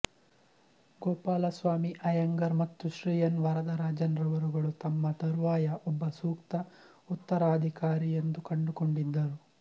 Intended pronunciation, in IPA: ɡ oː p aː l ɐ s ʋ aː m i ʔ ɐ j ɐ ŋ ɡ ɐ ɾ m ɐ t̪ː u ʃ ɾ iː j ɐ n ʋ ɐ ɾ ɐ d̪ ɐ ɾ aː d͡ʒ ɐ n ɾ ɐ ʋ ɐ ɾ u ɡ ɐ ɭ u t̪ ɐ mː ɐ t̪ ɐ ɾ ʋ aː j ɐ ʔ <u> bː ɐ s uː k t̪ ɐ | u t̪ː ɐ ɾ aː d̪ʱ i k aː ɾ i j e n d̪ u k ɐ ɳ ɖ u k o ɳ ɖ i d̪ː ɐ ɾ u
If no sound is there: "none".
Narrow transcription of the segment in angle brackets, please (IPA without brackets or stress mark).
ɔ